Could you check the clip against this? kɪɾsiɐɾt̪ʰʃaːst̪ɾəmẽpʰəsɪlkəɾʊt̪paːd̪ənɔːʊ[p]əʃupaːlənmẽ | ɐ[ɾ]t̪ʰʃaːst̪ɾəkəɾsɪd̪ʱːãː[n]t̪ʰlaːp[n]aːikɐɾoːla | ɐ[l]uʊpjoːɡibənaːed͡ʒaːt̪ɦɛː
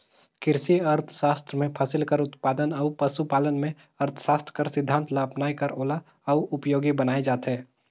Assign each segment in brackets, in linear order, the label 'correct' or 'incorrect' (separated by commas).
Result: correct, correct, correct, correct, incorrect